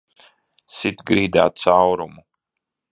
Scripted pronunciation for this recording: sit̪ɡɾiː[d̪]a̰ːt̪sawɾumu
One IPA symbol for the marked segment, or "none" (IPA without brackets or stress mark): d̪